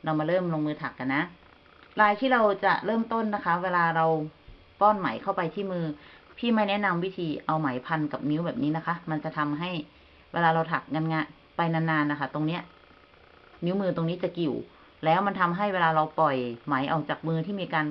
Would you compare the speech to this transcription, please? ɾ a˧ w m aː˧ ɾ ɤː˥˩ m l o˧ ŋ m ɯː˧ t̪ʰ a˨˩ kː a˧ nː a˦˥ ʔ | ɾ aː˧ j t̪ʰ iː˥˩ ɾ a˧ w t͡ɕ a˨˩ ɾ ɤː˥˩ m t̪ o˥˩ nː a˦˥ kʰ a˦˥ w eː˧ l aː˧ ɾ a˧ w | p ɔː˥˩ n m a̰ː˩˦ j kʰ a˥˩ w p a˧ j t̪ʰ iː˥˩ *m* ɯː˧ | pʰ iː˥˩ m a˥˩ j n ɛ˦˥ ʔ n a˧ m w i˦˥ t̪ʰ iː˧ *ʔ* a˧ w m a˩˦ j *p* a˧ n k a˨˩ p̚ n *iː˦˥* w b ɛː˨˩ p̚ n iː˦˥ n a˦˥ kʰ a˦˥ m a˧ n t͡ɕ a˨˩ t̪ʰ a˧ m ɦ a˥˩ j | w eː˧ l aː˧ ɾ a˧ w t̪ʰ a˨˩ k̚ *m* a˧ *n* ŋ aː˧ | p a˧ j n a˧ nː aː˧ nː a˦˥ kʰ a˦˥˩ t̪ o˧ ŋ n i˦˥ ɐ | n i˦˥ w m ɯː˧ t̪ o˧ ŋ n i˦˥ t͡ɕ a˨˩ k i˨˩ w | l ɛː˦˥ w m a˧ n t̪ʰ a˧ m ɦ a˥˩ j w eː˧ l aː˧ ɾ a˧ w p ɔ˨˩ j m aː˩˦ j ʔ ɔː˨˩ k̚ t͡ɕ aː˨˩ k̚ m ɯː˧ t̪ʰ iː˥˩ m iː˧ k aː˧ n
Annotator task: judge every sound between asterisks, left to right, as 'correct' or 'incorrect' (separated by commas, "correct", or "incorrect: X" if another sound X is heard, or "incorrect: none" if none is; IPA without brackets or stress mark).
correct, correct, incorrect: pʰ, incorrect: i˦˥, incorrect: ŋ, correct